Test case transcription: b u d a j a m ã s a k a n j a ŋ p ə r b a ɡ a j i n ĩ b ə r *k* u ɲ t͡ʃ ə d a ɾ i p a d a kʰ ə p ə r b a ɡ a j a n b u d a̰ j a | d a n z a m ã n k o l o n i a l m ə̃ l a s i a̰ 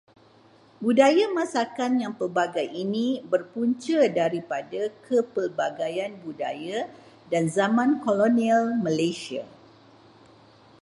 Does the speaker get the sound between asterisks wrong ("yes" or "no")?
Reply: yes